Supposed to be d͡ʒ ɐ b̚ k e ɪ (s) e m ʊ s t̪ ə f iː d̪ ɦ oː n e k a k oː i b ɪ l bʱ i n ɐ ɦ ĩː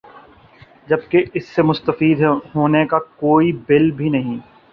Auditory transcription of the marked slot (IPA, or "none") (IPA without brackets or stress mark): sː